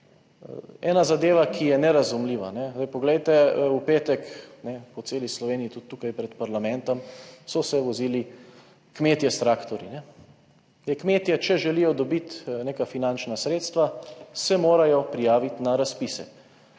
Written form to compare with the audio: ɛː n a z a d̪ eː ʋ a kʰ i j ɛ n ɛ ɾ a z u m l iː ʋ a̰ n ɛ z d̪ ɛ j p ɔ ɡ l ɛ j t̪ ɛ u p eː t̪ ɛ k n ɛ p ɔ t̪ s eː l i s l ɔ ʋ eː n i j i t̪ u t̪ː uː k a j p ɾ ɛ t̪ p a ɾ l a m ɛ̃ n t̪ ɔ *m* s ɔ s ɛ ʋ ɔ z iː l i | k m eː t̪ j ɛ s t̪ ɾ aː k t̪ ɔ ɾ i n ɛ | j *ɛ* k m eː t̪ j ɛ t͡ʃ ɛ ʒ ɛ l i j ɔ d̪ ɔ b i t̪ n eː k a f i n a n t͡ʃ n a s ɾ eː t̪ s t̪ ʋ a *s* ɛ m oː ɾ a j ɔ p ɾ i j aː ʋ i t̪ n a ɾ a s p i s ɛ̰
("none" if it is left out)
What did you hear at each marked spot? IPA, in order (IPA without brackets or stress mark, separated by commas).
m, ɛ, s